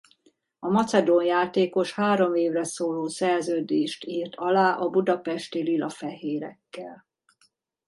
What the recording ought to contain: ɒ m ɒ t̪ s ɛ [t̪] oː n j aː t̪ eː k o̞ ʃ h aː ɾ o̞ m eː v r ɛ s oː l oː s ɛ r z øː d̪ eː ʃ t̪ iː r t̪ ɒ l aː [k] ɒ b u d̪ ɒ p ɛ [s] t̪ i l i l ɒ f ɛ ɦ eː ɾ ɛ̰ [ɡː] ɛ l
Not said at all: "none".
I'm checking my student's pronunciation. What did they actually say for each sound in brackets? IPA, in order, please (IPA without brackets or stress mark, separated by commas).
d̪, ʔ, ʃ, kː